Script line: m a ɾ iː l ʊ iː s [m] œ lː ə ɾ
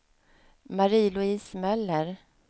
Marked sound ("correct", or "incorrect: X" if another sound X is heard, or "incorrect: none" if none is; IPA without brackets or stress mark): correct